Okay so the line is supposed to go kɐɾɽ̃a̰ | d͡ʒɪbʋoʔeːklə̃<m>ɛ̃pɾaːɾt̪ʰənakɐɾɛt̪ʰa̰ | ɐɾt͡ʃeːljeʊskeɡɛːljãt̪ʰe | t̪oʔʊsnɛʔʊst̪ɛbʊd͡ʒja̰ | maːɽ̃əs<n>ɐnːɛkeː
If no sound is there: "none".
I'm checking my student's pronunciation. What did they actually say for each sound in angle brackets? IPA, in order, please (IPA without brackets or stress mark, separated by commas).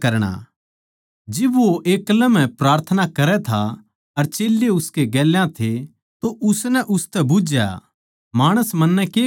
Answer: m, m